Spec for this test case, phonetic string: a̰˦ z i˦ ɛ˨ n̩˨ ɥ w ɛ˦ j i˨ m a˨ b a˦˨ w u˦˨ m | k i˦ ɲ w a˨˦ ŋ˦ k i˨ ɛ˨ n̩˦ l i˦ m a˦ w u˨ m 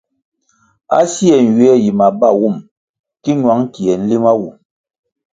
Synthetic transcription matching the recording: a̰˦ s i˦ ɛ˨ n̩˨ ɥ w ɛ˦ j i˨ m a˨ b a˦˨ w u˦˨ m | k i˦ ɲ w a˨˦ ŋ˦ k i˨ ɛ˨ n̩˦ l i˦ m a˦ w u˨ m